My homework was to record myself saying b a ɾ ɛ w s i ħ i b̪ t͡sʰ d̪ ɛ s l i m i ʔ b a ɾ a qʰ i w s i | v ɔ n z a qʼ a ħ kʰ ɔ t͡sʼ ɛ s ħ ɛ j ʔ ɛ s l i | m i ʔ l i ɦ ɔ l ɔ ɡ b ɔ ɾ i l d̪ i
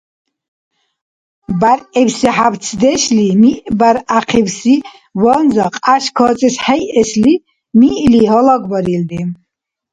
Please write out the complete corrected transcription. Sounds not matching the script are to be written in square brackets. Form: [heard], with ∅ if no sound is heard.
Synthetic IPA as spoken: b a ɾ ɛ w s i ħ [a] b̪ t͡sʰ d̪ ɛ [ʃ] l i m i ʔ b a ɾ a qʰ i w s i | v ɔ n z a qʼ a [ʃ] kʰ ɔ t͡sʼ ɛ s ħ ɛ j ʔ ɛ s l i | m i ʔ l i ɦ ɔ l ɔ ɡ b ɔ ɾ i l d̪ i